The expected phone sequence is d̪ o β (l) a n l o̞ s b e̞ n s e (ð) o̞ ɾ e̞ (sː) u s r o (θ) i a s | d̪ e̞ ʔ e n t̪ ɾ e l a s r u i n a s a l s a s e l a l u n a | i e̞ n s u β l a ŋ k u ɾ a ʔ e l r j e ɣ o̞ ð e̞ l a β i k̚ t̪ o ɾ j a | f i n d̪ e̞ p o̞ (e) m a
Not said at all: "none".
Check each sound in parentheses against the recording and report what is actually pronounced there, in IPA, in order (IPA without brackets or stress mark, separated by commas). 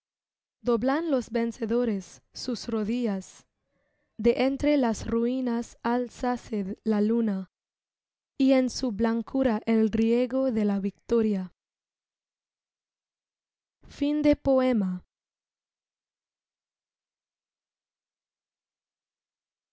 l, ð, sː, ð, e